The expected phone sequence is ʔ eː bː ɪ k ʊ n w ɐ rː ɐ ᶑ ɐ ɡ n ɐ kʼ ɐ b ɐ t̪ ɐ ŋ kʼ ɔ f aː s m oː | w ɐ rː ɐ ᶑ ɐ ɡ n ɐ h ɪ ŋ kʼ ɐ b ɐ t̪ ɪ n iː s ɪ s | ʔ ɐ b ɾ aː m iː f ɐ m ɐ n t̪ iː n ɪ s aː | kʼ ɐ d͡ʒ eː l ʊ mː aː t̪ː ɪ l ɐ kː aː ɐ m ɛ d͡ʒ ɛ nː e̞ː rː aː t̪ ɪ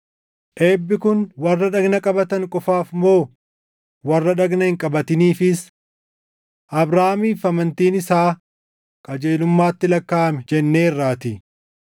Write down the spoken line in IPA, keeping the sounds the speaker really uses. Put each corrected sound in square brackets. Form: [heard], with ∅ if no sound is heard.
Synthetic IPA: ʔ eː bː ɪ k ʊ n w ɐ rː ɐ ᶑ ɐ ɡ n ɐ kʼ ɐ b ɐ t̪ ɐ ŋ kʼ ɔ f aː [f] m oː | w ɐ rː ɐ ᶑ ɐ ɡ n ɐ h ɪ ŋ kʼ ɐ b ɐ t̪ ɪ n iː [f] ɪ s | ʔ ɐ b ɾ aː m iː f ɐ m ɐ n t̪ iː n ɪ s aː | kʼ ɐ d͡ʒ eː l ʊ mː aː t̪ː ɪ l ɐ kː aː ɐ m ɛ d͡ʒ ɛ nː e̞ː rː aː t̪ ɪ